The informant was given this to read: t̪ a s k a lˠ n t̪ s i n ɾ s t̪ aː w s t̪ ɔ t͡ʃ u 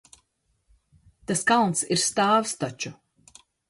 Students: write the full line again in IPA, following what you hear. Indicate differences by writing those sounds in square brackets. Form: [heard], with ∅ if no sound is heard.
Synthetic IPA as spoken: t̪ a s k a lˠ n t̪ s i [∅] ɾ s t̪ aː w s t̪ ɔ t͡ʃ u